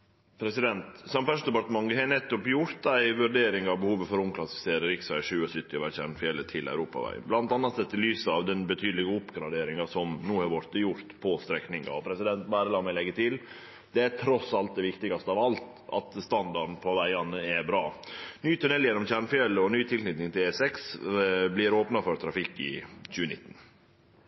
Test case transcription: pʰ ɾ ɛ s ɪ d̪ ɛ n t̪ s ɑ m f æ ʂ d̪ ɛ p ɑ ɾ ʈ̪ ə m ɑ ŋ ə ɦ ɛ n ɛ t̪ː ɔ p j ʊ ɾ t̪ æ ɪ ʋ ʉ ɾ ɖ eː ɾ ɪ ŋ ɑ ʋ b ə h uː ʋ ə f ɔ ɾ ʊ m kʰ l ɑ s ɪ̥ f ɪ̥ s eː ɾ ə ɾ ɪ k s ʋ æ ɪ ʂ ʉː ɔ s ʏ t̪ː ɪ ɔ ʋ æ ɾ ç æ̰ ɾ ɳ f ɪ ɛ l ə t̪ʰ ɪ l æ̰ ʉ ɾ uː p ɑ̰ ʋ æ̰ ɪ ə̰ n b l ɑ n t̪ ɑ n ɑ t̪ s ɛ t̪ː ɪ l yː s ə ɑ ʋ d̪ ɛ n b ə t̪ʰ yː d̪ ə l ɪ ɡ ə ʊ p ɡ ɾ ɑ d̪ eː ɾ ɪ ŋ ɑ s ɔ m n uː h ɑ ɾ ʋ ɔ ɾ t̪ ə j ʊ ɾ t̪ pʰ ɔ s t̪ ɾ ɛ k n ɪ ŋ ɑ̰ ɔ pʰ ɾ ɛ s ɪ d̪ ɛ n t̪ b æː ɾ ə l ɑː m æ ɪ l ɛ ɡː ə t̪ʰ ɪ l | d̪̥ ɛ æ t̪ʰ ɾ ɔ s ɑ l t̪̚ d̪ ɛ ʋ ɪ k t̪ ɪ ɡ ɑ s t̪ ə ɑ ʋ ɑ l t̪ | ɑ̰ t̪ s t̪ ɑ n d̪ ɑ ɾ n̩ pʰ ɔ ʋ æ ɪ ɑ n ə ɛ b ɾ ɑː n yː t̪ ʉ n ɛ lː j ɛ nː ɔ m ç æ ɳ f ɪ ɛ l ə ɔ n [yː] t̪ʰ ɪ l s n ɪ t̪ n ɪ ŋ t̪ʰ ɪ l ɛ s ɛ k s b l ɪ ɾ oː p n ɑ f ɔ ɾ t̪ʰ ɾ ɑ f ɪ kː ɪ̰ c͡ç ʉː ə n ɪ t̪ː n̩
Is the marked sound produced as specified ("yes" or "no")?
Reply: yes